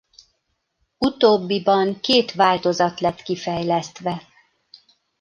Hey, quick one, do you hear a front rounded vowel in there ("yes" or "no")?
no